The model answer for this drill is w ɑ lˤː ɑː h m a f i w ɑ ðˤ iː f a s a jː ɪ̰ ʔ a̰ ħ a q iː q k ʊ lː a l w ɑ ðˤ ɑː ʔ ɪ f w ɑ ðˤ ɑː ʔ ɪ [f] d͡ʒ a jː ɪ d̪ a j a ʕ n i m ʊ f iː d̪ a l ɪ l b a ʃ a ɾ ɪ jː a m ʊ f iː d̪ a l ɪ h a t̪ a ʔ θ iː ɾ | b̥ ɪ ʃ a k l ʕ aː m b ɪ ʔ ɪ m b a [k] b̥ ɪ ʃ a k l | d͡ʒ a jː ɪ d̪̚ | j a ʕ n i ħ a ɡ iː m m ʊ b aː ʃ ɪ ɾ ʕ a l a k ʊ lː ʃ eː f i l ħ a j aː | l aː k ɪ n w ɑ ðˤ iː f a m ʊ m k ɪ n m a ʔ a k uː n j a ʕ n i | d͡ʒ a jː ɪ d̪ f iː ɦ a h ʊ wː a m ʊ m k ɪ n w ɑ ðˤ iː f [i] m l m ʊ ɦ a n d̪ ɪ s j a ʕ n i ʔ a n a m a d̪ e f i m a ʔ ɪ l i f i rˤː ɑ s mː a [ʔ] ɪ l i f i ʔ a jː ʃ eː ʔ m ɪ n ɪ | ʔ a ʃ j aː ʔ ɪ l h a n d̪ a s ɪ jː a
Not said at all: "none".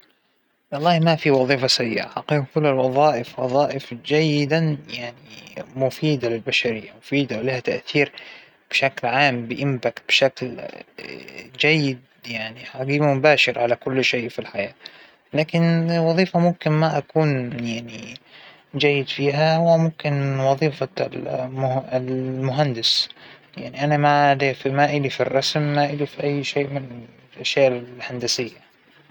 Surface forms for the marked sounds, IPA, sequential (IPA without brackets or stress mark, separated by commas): f, k, a, ʔ